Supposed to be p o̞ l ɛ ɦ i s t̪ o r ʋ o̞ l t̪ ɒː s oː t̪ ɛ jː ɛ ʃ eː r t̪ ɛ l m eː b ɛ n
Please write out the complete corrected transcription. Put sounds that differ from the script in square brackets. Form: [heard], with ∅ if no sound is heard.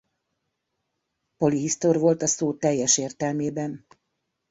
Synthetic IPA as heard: p o̞ l [i] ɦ i s t̪ o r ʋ o̞ l t̪ [ɒ] s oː t̪ ɛ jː ɛ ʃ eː r t̪ ɛ l m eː b ɛ n